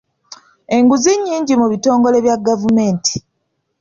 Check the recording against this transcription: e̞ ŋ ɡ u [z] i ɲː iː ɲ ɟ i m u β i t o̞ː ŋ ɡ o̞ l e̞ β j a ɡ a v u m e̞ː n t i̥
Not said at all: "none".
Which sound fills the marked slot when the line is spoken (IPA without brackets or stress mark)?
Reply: z